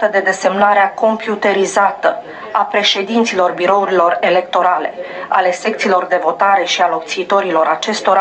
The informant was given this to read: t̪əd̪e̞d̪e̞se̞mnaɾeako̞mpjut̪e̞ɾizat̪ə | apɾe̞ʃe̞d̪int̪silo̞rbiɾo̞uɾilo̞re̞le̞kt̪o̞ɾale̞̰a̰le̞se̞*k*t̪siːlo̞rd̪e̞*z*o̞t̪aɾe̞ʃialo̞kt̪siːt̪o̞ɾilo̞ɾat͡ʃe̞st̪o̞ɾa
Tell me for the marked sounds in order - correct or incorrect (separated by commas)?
correct, incorrect